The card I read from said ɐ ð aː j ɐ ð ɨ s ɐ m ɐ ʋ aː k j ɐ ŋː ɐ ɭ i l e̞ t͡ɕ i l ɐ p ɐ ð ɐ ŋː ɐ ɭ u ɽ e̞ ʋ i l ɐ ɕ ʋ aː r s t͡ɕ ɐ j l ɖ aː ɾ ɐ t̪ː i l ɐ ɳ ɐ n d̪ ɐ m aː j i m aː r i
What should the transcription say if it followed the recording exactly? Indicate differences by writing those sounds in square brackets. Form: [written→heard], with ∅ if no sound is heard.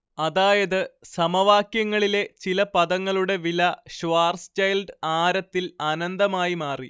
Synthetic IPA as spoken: ɐ ð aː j ɐ ð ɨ s ɐ m ɐ ʋ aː k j ɐ ŋː ɐ ɭ i l e̞ t͡ɕ i l ɐ p ɐ ð ɐ ŋː ɐ ɭ u ɽ e̞ ʋ i l ɐ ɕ ʋ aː r s t͡ɕ ɐ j l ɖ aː ɾ ɐ t̪ː i l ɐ [ɳ→n] ɐ n d̪ ɐ m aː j i m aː r i